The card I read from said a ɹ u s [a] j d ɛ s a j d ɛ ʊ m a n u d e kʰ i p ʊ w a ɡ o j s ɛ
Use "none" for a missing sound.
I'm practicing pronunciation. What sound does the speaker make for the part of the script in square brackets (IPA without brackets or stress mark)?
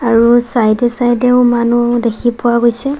a